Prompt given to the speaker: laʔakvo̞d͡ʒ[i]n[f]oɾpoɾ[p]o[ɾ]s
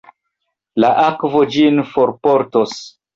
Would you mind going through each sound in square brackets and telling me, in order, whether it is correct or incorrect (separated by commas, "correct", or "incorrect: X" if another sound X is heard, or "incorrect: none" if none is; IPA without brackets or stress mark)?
correct, correct, incorrect: t, incorrect: none